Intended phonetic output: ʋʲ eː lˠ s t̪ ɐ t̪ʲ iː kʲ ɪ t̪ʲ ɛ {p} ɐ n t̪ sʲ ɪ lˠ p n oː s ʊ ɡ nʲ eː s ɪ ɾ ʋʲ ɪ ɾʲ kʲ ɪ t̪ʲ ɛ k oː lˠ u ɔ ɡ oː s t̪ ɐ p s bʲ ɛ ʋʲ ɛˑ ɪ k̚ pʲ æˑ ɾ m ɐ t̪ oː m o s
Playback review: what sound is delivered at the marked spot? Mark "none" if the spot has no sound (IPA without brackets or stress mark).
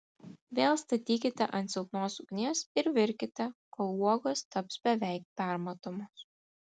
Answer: ʔ